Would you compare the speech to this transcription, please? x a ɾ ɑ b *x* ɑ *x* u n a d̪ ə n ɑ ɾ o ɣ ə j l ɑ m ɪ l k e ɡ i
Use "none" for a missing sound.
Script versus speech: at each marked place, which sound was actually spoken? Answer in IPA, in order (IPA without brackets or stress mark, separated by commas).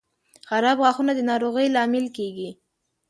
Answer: ɣ, x